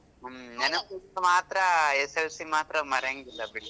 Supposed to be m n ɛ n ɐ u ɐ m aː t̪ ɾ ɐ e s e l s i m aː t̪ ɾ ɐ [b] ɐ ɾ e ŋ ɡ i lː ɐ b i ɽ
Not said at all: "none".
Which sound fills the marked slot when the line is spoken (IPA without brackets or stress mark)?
m